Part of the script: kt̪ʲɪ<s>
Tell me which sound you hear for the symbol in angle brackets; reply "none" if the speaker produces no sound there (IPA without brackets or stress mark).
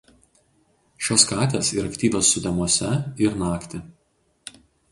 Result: none